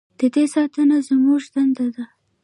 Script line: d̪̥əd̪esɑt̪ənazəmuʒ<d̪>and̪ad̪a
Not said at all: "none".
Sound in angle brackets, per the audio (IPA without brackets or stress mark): d̪